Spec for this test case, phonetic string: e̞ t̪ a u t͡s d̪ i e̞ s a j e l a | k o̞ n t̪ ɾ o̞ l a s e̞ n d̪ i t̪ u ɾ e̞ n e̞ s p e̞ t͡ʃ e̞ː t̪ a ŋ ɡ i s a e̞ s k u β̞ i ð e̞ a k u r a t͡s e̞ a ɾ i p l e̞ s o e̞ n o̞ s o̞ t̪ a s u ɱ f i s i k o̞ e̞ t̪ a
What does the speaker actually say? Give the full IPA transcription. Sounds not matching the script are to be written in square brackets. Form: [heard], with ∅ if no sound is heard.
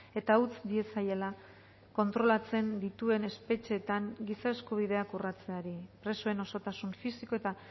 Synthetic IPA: e̞ t̪ a u t͡s d̪ i e̞ s a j e l a | k o̞ n t̪ ɾ o̞ l a [t͡s] e̞ n d̪ i t̪ u [∅] e̞ n e̞ s p e̞ t͡ʃ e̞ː t̪ a ŋ ɡ i s a e̞ s k u β̞ i ð e̞ a k u r a t͡s e̞ a ɾ i p [ɾ] e̞ s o e̞ n o̞ s o̞ t̪ a s u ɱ f i s i k o̞ e̞ t̪ a